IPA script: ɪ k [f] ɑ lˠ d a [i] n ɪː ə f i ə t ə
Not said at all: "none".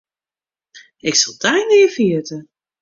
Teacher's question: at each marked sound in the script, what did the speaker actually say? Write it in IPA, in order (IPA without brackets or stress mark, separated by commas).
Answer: s, j